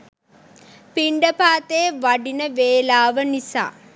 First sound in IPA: p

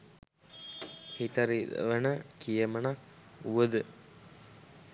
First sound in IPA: h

